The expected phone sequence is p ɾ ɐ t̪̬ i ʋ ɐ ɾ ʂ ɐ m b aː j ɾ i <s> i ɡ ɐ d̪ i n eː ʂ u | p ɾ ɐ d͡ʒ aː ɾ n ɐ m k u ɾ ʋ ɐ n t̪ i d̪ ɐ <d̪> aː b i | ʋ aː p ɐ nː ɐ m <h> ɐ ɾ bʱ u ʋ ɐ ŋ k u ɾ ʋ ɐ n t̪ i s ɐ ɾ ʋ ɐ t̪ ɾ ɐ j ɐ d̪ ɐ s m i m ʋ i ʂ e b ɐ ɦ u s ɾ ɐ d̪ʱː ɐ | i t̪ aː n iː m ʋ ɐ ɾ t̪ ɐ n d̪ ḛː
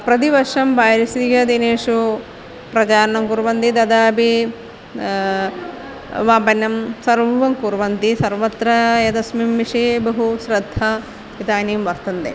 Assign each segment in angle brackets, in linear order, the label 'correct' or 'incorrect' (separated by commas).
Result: correct, correct, incorrect